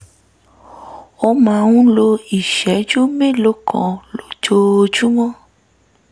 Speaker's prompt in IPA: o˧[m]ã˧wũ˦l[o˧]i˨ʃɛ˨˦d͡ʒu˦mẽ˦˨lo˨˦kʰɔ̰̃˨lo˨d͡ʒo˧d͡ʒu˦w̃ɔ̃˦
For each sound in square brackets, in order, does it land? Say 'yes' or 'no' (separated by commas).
yes, yes